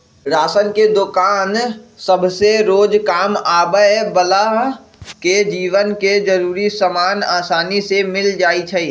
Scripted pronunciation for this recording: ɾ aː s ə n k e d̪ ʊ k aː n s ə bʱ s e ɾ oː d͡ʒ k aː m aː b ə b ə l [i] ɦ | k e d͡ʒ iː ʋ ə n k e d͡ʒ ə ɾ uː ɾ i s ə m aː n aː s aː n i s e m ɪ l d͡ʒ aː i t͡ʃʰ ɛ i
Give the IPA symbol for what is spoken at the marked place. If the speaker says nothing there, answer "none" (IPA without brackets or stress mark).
a